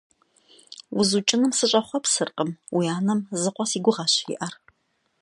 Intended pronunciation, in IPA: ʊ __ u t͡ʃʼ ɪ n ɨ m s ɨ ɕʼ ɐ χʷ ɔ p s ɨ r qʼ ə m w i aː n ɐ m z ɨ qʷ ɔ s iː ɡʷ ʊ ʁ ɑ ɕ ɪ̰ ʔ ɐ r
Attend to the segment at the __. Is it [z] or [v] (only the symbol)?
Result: z